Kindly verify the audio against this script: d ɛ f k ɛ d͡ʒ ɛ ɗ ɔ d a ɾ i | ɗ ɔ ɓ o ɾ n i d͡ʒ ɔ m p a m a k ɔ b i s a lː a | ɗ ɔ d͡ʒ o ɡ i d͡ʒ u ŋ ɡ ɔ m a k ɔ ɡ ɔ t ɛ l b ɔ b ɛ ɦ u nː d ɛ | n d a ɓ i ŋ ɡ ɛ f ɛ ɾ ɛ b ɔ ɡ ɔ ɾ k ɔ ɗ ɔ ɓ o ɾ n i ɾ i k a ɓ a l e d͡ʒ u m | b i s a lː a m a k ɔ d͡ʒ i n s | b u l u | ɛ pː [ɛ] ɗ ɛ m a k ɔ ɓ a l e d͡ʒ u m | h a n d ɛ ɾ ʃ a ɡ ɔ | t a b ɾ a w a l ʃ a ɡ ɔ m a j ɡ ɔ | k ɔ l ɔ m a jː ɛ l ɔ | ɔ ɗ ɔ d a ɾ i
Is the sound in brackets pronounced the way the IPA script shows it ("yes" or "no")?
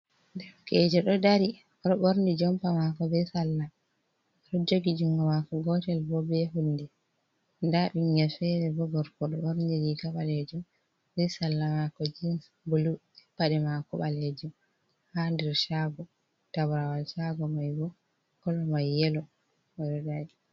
no